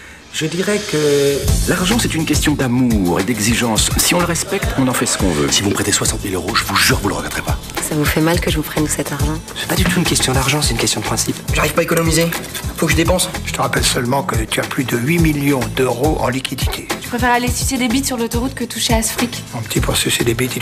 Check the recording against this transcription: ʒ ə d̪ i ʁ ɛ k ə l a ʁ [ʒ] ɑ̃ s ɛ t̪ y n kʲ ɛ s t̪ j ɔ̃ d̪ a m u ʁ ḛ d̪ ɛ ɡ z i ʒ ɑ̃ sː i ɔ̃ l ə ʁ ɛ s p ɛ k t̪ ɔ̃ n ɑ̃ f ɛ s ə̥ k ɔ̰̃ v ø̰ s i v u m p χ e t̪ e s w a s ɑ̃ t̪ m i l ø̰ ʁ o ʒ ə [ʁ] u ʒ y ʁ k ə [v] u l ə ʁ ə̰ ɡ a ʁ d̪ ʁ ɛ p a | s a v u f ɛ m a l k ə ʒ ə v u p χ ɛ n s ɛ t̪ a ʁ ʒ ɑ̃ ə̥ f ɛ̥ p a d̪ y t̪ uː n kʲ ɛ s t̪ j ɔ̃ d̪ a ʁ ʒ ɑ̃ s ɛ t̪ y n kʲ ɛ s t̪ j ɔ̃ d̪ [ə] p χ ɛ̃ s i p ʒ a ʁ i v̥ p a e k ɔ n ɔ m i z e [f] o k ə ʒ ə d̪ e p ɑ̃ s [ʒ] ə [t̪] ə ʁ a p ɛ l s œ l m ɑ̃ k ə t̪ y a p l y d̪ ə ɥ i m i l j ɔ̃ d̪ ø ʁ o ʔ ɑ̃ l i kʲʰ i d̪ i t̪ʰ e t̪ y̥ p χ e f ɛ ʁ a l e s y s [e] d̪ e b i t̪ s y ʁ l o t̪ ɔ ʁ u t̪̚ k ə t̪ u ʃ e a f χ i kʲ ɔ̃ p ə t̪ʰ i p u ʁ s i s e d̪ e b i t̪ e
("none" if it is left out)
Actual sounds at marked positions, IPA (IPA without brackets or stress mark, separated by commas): ʒ, v, v, ə, f, ʒ, t̪, e